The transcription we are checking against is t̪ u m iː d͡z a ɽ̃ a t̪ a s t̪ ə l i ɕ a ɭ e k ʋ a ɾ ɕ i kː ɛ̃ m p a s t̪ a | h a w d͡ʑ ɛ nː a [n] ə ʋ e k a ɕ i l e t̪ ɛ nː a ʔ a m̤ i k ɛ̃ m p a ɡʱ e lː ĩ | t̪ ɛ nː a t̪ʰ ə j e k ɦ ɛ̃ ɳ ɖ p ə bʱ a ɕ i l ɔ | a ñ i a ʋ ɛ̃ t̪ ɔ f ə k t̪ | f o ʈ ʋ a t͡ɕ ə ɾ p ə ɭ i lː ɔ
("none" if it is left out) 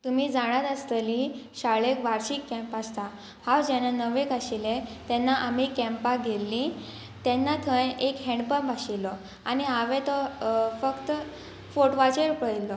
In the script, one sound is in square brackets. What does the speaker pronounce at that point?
n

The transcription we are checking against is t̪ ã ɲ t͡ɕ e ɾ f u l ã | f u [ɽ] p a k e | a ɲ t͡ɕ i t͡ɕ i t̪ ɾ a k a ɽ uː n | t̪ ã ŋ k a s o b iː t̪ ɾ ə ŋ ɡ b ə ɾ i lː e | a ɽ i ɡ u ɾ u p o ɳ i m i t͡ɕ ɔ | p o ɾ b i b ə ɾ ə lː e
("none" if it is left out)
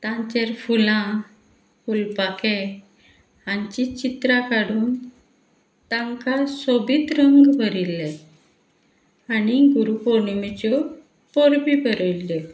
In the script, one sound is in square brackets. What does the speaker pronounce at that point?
l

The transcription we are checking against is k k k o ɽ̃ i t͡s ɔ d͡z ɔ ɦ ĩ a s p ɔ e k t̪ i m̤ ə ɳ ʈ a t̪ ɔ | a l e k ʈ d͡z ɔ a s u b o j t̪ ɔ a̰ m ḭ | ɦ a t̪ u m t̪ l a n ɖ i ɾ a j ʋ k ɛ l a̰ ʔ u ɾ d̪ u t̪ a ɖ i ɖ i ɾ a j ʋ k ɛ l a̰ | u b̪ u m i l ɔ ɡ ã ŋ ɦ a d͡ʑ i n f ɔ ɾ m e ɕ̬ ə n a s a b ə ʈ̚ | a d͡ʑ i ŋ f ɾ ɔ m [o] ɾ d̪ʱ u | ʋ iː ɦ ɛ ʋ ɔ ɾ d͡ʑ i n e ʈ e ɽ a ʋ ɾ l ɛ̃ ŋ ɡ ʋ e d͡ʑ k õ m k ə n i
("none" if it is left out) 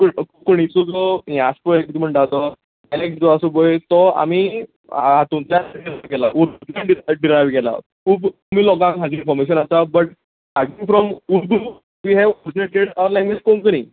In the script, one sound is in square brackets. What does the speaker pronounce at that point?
u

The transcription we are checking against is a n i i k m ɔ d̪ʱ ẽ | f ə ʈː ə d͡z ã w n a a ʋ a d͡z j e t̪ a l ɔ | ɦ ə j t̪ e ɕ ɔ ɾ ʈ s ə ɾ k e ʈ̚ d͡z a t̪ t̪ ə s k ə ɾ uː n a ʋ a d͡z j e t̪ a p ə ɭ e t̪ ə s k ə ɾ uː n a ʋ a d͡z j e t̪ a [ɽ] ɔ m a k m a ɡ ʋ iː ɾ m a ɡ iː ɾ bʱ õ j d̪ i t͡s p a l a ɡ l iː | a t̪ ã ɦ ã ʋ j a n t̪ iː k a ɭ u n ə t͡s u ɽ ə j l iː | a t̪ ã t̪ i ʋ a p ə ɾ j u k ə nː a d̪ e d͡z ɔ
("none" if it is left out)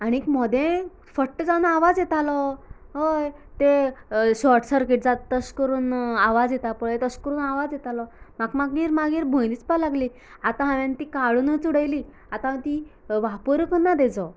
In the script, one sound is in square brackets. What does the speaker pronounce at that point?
l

